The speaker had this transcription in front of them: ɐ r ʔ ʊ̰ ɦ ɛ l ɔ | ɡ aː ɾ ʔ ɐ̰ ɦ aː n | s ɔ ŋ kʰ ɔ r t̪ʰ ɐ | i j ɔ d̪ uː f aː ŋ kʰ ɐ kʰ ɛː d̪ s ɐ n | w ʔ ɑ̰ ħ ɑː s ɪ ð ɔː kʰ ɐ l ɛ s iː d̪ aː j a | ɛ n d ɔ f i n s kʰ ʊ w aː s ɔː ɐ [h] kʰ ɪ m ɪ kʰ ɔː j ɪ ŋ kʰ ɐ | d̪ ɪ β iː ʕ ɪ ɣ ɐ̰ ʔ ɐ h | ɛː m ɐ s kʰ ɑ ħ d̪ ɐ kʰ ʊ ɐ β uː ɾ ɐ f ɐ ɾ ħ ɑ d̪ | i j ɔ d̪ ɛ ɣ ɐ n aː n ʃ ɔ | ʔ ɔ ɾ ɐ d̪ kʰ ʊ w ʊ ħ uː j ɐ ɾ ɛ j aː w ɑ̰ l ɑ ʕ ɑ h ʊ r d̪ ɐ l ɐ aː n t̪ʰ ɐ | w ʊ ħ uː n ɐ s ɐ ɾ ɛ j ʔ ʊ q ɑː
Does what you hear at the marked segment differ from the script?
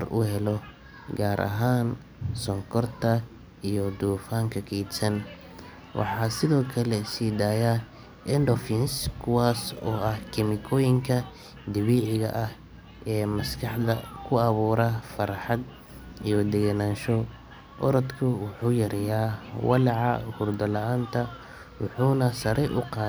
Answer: no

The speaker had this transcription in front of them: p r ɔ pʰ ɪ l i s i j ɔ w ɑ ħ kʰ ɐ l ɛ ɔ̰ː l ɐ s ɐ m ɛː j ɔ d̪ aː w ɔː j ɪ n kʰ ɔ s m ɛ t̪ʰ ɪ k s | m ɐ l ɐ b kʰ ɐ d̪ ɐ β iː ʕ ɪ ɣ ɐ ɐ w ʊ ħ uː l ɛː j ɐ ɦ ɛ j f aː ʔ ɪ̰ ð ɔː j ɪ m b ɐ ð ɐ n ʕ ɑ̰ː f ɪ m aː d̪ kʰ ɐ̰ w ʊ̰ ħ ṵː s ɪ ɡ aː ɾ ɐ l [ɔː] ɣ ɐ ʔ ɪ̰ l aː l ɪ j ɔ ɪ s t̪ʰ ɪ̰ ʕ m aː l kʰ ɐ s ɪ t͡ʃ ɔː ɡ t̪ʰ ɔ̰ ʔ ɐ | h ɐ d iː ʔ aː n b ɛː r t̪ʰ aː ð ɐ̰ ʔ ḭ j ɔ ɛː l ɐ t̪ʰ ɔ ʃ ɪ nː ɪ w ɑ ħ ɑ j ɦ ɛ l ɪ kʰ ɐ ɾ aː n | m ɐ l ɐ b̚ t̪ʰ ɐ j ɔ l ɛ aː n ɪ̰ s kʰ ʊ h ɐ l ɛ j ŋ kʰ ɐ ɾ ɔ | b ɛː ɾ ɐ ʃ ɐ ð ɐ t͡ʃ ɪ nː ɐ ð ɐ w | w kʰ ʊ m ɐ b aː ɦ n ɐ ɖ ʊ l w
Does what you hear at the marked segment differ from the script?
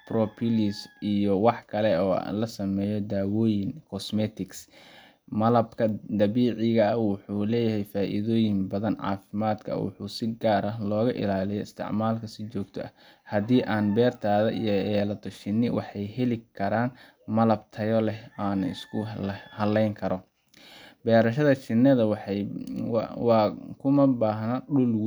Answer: no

